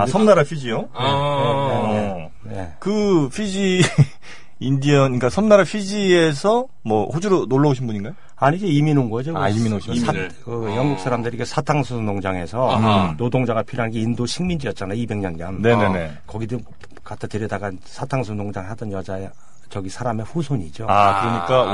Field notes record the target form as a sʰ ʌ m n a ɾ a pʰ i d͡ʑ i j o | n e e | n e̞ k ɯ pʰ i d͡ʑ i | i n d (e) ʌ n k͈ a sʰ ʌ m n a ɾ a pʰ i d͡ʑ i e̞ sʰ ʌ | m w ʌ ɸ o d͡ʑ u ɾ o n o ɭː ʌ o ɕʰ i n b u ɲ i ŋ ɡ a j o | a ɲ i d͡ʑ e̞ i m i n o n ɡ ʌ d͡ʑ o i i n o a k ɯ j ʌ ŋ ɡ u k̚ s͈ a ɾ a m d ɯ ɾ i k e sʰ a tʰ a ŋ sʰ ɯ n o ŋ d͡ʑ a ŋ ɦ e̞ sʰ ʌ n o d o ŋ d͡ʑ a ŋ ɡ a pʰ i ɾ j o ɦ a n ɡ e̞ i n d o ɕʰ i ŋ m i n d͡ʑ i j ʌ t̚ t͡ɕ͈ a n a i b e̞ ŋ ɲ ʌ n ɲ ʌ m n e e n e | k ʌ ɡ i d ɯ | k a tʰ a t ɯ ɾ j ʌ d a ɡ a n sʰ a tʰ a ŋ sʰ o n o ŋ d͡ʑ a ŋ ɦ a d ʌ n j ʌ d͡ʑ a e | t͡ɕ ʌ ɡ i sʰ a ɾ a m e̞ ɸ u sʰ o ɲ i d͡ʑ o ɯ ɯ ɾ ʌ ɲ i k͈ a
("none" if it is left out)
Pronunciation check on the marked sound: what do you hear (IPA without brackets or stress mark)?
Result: i